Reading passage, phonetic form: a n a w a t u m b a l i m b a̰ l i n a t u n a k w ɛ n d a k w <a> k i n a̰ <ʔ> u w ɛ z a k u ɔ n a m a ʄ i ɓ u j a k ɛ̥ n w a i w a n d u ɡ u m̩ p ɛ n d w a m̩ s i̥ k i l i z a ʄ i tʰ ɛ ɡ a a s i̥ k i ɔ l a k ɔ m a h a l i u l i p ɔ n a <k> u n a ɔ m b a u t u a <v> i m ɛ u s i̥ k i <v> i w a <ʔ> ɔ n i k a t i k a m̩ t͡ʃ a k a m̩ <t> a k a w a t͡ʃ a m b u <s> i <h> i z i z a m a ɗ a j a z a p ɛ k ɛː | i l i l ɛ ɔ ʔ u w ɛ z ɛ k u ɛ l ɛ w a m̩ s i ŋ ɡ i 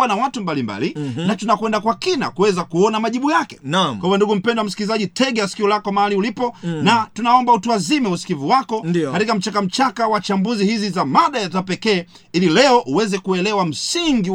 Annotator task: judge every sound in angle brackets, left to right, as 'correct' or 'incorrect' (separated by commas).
correct, incorrect, incorrect, incorrect, correct, incorrect, incorrect, incorrect, correct